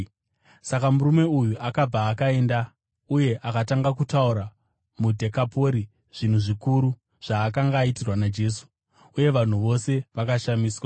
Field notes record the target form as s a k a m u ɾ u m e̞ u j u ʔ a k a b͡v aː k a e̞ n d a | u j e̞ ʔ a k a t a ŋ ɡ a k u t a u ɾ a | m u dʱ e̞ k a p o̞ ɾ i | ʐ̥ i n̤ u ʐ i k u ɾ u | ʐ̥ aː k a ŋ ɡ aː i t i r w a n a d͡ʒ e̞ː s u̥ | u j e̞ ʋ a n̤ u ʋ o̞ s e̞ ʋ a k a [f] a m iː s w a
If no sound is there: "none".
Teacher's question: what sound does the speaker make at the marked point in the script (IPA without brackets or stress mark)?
ʃ